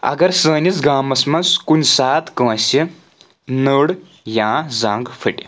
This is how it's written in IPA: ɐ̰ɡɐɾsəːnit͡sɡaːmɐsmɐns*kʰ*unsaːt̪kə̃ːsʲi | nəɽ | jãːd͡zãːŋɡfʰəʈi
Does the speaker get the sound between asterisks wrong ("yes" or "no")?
yes